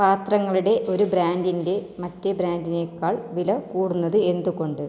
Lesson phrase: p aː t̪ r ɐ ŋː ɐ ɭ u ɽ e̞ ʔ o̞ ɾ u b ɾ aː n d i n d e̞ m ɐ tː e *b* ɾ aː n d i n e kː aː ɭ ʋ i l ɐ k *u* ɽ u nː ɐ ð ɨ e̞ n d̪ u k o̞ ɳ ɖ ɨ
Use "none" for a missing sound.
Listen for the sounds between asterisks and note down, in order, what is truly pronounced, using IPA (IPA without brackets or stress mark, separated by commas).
b, uː